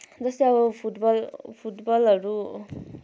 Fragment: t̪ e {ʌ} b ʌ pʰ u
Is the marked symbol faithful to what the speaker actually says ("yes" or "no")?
yes